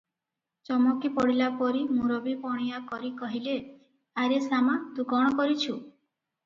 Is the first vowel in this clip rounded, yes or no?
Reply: yes